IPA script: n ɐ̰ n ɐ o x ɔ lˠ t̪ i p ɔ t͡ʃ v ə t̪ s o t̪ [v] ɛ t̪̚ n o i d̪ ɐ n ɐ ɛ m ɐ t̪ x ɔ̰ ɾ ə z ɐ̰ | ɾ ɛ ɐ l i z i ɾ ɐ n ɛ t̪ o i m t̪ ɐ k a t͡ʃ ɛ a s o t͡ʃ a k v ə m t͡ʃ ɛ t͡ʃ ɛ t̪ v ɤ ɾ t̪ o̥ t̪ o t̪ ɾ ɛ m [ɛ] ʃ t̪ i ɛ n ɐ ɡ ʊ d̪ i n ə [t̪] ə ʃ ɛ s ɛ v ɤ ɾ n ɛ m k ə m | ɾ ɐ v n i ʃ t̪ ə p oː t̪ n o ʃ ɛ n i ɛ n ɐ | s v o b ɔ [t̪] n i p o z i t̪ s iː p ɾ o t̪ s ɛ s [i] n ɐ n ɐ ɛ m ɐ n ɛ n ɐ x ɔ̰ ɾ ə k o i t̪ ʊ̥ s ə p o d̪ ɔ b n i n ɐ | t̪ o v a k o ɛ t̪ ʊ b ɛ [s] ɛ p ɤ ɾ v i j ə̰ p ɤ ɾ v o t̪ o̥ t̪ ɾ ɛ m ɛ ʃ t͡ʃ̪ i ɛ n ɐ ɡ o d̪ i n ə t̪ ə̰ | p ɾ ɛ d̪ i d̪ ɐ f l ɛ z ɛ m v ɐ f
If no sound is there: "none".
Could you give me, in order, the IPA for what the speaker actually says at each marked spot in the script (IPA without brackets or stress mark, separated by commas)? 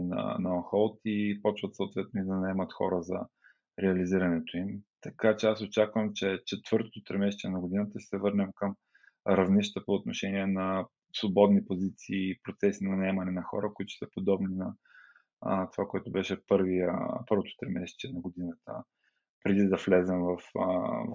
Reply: v, ɛ, t̪, d̪, i, ʃ